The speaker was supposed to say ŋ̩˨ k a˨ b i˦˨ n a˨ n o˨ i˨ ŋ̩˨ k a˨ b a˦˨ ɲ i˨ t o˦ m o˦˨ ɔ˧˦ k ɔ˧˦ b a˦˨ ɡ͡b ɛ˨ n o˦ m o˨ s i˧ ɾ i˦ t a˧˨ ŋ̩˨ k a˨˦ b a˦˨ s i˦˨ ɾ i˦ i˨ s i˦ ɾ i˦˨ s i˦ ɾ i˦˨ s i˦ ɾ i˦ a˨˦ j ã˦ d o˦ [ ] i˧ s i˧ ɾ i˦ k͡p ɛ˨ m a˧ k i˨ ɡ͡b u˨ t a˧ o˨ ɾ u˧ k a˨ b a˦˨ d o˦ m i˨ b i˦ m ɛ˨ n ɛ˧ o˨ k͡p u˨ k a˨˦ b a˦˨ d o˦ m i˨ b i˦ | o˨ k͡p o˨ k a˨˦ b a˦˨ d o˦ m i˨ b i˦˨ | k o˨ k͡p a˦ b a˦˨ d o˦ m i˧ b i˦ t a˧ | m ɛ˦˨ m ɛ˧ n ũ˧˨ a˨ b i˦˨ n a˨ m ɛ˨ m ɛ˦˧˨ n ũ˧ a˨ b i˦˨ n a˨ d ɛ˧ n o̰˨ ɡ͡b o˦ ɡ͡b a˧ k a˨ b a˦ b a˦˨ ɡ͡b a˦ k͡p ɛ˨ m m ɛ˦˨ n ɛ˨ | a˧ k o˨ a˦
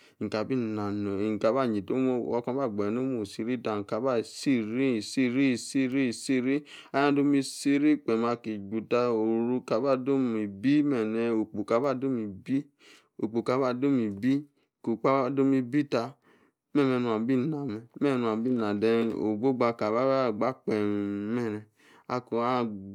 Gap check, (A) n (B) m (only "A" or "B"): B